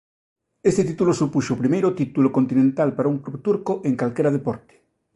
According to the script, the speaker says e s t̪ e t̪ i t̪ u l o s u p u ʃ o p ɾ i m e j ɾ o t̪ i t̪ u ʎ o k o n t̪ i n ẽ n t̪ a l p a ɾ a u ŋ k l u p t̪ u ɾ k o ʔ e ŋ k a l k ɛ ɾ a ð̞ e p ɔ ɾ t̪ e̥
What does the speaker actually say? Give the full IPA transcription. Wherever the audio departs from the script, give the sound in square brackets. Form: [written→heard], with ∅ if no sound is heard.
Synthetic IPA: e s t̪ e t̪ i t̪ u l o s u p u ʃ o p ɾ i m e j ɾ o t̪ i t̪ u [ʎ→l] o k o n t̪ i n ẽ n t̪ a l p a ɾ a u ŋ k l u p t̪ u ɾ k o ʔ e ŋ k a l k [ɛ→e] ɾ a ð̞ e p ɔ ɾ t̪ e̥